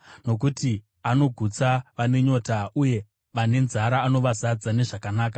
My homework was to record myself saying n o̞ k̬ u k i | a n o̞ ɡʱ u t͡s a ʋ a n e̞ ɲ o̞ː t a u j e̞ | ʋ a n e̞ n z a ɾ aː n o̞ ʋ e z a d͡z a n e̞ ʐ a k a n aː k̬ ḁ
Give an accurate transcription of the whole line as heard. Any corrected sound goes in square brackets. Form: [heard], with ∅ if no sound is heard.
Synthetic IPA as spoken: n o̞ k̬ u [t] i | a n o̞ ɡʱ u t͡s a ʋ a n e̞ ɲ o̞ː t a u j e̞ | ʋ a n e̞ n z a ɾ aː n o̞ ʋ [a] z a d͡z a n e̞ ʐ a k a n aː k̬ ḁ